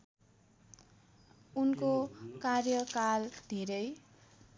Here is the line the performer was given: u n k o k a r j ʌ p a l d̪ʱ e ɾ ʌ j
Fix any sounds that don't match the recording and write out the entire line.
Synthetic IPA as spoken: u n k o k a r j ʌ k a l d̪ʱ e ɾ ʌ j

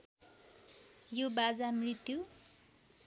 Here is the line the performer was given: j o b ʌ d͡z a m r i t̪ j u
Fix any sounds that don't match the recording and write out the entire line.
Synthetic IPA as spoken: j o b a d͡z a m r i t̪ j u

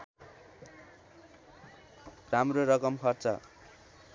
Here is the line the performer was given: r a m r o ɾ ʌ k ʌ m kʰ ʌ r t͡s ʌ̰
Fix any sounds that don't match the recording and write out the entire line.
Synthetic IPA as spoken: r a m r o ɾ ʌ k ʌ m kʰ ʌ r t͡s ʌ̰

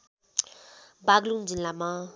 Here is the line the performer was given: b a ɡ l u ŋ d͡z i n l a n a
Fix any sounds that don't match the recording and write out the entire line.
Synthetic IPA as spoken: b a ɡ l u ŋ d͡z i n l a m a

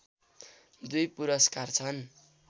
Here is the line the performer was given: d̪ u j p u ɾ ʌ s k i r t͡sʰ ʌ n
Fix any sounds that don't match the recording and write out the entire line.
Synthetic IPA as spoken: d̪ u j p u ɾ ʌ s k a r t͡sʰ ʌ n

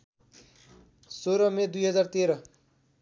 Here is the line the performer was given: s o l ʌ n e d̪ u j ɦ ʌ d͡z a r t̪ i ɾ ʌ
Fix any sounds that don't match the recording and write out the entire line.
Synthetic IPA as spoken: s o ɾ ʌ m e d̪ u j ɦ ʌ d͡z a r t̪ e ɾ ʌ

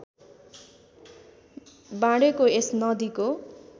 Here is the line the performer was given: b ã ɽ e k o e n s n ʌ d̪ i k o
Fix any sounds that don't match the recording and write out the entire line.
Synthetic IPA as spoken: b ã ɽ e k o e s n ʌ d̪ i k o

